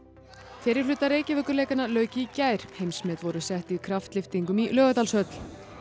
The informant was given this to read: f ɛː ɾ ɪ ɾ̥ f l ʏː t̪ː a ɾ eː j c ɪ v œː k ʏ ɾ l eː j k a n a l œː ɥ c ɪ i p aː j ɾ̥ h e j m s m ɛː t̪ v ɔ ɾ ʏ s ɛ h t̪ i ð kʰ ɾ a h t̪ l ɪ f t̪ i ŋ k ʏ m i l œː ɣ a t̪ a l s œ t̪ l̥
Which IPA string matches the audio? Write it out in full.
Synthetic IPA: f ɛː ɾ ɪ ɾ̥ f l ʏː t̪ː a ɾ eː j c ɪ v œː k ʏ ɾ l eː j k a n a l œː ɥ c ɪ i c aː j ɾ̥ h e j m s m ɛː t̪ v ɔ ɾ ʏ s ɛ h t̪ i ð kʰ ɾ a f t̪ l ɪ f t̪ i ŋ k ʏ m i l œː ɣ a t̪ a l s œ t̪ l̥